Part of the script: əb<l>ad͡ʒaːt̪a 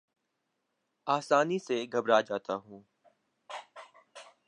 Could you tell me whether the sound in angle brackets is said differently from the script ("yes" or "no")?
yes